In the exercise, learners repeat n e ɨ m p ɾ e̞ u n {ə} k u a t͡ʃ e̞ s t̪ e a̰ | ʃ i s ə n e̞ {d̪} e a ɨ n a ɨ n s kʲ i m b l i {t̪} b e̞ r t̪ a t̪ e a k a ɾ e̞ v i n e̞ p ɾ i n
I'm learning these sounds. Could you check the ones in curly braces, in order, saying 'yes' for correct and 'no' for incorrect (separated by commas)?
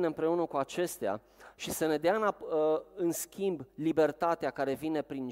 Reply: yes, yes, no